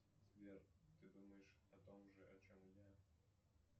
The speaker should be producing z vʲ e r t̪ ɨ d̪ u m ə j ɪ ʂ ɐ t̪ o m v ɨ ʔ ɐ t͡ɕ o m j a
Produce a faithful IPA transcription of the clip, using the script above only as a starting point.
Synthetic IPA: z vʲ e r t̪ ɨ d̪ u m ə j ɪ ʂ ɐ t̪ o m ʐ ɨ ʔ ɐ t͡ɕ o m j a